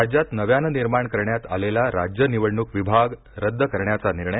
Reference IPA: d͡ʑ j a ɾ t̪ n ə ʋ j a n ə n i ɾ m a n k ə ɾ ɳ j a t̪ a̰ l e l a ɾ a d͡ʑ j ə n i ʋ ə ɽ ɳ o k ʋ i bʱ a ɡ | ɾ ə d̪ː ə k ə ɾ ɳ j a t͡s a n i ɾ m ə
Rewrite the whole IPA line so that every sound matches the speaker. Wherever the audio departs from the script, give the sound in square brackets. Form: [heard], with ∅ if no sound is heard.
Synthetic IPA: d͡ʑ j a [∅] t̪ n ə ʋ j a n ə n i ɾ m a [ɳ] k ə ɾ ɳ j a t̪ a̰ l e l a ɾ a d͡ʑ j ə n i ʋ ə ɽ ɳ [u] k ʋ i bʱ a ɡ | ɾ ə d̪ː ə k ə ɾ ɳ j a t͡s a n i ɾ [ɳ] ə